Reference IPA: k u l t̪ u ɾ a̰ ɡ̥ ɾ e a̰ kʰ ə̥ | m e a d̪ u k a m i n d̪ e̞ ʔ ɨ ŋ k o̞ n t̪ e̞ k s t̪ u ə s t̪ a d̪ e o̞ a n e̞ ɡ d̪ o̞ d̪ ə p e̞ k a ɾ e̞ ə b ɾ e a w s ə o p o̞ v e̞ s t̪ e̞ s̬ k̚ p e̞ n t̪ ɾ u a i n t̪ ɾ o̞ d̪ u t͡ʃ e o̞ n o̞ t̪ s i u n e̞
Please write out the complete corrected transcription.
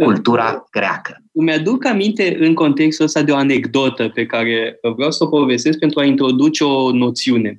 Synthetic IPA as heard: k u l t̪ u ɾ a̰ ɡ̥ ɾ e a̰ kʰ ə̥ | m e a d̪ u k a m i n t̪ e̞ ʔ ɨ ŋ k o̞ n t̪ e̞ k s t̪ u ə s t̪ a d̪ e o̞ a n e̞ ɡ d̪ o̞ t̪ ə p e̞ k a ɾ e̞ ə v ɾ e a w s ə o p o̞ v e̞ s t̪ e̞ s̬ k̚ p e̞ n t̪ ɾ u a i n t̪ ɾ o̞ d̪ u t͡ʃ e o̞ n o̞ t̪ s i u n e̞